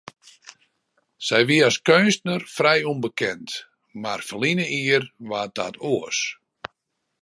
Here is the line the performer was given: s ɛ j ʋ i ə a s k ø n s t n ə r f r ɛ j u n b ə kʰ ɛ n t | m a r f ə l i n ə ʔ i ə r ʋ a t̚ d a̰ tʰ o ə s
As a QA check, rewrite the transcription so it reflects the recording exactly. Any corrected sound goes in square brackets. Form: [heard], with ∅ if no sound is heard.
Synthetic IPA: s ɛ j ʋ i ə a s k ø n s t n ə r f r ɛ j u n b ə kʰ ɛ n t | m a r f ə l i n ə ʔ i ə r ʋ a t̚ d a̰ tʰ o ə s